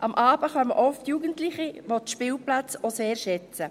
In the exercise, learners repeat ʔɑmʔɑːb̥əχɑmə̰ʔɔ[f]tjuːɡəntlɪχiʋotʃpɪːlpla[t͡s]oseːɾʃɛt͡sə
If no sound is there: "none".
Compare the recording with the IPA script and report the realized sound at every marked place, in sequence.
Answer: f, t͡s

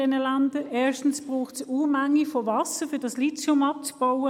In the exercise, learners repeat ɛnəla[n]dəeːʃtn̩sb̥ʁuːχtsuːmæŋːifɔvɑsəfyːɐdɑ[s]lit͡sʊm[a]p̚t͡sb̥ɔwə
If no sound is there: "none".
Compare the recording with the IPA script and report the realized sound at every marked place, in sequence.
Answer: n, s, ɑ

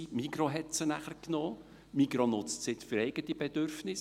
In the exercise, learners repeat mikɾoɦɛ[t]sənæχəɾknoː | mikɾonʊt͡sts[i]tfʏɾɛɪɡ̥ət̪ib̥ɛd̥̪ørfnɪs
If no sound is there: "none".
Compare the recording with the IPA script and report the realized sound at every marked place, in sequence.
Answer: t, ɪ

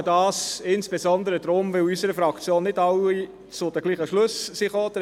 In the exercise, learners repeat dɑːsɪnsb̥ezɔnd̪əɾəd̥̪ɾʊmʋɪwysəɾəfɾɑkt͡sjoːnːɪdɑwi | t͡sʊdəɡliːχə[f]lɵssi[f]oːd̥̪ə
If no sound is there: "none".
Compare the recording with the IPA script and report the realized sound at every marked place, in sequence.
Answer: ʃ, χ

